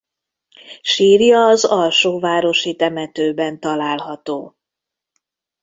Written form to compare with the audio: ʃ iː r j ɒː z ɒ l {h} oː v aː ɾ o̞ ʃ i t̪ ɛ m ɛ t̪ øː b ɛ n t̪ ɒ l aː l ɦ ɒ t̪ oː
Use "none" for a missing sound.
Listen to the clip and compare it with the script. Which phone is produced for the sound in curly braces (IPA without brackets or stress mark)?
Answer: ʃ